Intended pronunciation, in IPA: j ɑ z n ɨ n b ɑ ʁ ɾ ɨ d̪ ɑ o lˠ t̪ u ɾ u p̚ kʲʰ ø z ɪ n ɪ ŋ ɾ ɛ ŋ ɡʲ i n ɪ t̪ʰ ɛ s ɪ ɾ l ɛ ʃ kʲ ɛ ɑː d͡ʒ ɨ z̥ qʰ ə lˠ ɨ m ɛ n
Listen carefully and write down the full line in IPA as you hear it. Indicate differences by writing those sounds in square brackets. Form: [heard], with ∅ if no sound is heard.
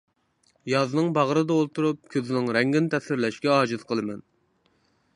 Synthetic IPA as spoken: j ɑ z n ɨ [ŋ] b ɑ ʁ ɾ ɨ d̪ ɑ o lˠ t̪ u ɾ u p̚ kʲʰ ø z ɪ n ɪ ŋ ɾ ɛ ŋ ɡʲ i n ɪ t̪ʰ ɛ s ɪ ɾ l ɛ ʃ kʲ ɛ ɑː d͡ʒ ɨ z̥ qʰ ə lˠ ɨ m ɛ n